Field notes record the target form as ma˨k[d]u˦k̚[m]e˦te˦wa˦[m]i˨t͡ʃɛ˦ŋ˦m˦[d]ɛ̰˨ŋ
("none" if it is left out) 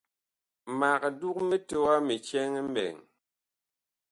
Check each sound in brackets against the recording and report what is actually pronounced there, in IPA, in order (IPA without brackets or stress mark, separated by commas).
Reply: d, m, m, b